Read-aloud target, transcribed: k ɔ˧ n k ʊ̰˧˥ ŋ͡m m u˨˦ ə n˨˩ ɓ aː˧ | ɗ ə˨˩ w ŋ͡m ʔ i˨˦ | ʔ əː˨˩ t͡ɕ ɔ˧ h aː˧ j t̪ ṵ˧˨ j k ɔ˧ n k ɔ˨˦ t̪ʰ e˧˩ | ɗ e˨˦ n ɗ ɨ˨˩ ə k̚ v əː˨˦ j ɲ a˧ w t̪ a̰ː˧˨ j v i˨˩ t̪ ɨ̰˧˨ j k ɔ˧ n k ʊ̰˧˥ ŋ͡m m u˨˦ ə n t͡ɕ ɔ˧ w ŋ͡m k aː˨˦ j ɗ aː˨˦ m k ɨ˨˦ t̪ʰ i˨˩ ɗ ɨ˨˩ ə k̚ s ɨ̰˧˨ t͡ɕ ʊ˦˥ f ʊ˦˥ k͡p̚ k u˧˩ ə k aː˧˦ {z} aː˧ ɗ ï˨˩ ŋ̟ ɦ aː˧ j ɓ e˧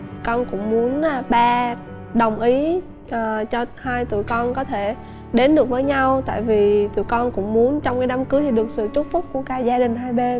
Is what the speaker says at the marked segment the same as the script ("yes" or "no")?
yes